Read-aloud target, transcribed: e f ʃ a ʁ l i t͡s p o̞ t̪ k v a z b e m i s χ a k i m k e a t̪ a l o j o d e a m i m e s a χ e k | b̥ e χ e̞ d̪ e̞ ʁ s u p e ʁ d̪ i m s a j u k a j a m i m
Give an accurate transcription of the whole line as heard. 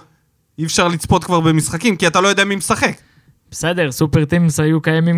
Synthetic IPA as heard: i f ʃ a ʁ l i t͡s p o̞ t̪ k v a ʁ b e m i s χ a k i m k i a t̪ a l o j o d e a m i m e s a χ e k | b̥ e s e̞ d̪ e̞ ʁ s u p e ʁ t̪ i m s a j u k a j a m i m